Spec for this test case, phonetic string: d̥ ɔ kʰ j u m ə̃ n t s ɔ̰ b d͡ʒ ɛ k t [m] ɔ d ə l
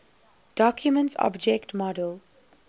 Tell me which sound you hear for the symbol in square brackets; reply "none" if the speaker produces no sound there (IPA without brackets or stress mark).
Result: m